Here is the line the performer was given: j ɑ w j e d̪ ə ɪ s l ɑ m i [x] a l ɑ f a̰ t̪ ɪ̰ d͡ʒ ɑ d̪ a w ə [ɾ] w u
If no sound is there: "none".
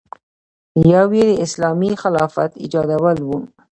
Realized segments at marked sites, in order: x, l

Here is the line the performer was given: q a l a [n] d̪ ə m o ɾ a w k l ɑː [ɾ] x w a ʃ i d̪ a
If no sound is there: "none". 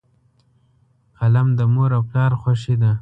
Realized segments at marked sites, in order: m, ɾ

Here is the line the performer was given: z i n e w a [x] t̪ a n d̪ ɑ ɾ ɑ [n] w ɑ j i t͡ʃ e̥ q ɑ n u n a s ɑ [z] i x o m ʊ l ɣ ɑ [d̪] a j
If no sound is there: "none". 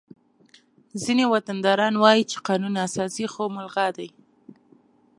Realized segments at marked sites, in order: none, n, s, d̪

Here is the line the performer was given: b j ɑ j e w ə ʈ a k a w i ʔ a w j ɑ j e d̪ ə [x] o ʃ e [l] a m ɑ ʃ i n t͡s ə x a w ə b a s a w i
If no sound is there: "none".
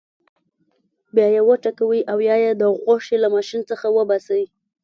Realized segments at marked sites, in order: ɣ, l

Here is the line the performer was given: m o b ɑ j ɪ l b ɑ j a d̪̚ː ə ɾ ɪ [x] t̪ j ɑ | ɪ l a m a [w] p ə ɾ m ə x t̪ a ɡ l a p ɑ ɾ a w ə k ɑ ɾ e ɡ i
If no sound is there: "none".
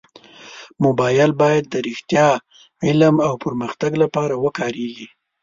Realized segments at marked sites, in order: x, w

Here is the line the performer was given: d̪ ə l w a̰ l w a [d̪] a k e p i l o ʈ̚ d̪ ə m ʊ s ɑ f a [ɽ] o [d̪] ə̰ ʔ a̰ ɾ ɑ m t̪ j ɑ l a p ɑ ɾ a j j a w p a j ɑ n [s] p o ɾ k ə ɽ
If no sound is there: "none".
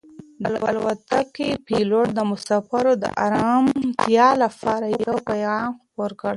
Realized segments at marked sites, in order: t̪, ɾ, d̪, x

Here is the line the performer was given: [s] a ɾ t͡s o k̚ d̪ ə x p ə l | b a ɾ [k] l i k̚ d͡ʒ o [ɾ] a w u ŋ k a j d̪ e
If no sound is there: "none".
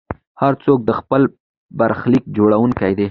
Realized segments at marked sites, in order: h, x, ɽ

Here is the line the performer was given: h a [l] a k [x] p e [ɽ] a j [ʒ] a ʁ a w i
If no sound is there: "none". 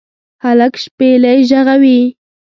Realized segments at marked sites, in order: l, ʃ, l, ʒ

